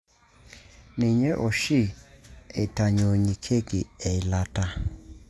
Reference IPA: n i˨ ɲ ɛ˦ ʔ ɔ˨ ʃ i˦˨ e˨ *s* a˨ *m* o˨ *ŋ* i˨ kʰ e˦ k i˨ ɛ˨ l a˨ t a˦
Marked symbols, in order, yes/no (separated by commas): no, no, no